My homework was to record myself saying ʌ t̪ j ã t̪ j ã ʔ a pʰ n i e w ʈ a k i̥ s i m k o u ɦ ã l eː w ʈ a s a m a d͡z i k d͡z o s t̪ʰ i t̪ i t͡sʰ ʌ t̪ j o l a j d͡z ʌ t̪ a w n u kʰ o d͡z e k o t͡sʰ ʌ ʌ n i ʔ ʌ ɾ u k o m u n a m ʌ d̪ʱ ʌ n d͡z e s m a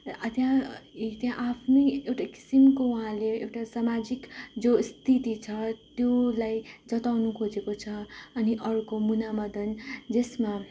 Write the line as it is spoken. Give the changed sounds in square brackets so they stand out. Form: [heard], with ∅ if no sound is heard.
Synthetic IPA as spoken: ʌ t̪ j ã t̪ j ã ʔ a pʰ n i e w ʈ a k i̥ s i m k o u ɦ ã l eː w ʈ a s a m a d͡z i k d͡z o s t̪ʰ i t̪ i t͡sʰ ʌ t̪ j o l a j d͡z ʌ t̪ a w n u kʰ o d͡z e k o t͡sʰ ʌ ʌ n i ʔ ʌ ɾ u k o m u n a m ʌ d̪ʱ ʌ n d͡z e s m a